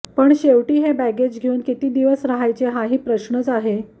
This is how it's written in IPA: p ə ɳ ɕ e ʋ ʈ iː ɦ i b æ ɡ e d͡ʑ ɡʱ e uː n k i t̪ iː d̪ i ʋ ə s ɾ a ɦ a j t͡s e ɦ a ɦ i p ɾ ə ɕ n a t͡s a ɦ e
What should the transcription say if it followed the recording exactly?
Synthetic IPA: p ə ɳ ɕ e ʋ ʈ iː ɦ e b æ ɡ e d͡ʑ ɡʱ e uː n k i t̪ iː d̪ i ʋ ə s ɾ a ɦ a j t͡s e ɦ a ɦ iː p ɾ ə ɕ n ə t͡s a ɦ e